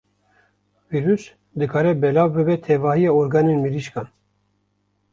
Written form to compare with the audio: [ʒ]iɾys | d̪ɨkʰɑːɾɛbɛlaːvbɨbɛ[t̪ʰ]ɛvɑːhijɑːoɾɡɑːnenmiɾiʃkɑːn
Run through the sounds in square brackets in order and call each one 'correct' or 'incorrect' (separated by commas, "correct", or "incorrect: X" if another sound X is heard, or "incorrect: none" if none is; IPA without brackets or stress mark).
incorrect: v, correct